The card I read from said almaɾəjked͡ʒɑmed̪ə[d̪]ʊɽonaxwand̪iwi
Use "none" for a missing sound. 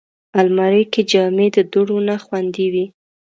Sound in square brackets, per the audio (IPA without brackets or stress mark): d̪